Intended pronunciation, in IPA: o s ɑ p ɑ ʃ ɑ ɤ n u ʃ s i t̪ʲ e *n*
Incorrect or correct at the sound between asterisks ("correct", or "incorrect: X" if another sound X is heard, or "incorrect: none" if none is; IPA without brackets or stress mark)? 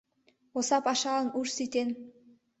correct